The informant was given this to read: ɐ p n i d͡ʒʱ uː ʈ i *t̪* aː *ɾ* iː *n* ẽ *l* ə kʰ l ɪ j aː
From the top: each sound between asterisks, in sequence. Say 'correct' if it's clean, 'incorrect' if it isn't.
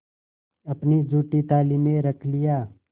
correct, incorrect: l, incorrect: m, incorrect: ɾ

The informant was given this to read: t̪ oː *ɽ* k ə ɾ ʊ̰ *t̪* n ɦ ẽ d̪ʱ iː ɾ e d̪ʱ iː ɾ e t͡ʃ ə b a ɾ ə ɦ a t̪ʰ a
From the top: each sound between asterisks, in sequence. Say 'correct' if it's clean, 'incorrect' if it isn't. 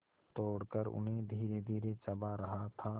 correct, incorrect: none

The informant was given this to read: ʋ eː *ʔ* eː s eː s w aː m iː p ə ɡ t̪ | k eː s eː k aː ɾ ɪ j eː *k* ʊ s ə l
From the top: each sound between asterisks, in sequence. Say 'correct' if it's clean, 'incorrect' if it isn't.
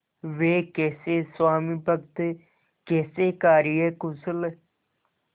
incorrect: k, correct

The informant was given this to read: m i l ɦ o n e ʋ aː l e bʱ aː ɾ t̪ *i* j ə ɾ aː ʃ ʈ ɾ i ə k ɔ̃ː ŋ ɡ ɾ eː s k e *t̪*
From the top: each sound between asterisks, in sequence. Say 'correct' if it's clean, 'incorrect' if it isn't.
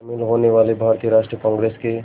correct, incorrect: none

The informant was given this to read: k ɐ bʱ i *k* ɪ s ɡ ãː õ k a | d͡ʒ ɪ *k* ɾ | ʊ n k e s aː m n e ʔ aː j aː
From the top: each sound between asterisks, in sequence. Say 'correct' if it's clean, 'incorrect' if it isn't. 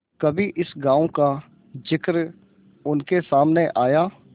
incorrect: ʔ, correct

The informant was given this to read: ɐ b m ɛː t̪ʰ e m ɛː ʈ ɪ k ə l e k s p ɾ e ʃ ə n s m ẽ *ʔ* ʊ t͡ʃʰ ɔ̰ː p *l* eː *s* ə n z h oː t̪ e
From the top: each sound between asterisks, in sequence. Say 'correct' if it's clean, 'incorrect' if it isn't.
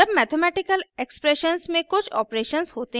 incorrect: k, incorrect: ɾ, incorrect: ʃ

